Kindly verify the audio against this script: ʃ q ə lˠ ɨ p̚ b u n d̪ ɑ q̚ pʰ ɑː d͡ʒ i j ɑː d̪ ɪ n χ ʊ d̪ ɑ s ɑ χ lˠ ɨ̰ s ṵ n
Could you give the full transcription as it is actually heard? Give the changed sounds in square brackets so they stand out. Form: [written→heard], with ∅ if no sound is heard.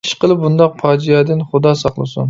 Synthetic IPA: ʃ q ə lˠ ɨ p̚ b u n d̪ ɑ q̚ pʰ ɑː d͡ʒ i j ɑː d̪ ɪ n χ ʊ d̪ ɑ s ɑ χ lˠ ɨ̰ s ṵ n